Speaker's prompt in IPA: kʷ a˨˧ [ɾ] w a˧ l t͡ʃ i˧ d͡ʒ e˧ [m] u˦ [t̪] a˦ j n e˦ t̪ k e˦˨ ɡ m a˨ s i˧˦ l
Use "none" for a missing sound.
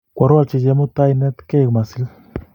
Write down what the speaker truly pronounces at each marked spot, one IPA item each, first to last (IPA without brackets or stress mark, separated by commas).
ɾ, m, t̪